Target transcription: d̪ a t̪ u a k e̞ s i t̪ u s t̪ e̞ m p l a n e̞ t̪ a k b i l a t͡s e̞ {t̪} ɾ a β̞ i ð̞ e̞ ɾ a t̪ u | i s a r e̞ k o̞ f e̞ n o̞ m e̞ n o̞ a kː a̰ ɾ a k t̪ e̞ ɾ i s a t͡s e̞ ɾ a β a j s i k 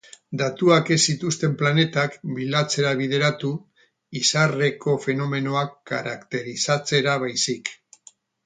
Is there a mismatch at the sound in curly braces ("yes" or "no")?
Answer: yes